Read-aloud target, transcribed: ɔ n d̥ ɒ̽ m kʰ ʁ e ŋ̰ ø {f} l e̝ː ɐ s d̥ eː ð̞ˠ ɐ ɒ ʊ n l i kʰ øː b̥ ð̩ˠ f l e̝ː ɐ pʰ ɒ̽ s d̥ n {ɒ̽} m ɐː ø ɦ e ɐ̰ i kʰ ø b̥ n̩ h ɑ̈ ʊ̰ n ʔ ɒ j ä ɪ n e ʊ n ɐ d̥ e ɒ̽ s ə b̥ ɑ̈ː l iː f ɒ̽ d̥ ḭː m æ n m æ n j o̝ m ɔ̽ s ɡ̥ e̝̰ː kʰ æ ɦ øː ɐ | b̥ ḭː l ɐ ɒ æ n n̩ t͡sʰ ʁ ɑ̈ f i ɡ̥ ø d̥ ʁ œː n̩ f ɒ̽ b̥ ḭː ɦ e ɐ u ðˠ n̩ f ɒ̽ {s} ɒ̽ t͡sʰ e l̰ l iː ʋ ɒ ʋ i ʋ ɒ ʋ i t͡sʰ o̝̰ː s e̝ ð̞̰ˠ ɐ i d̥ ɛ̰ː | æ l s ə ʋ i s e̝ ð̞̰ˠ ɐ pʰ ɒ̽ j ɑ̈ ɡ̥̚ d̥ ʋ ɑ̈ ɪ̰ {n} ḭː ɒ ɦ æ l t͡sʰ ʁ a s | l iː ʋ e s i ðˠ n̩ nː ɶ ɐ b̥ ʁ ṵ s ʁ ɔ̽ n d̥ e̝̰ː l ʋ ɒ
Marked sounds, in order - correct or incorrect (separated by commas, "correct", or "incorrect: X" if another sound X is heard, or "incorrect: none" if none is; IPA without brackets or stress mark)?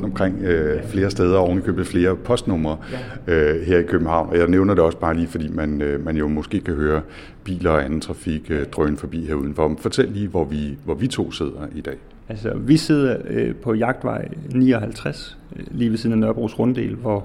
correct, incorrect: ɔ̽, incorrect: f, correct